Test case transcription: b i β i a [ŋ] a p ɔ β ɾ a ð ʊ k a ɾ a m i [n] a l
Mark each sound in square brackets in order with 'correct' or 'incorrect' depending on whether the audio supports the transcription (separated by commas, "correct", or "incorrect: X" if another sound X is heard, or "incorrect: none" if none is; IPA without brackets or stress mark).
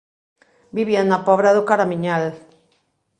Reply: incorrect: n, incorrect: ɲ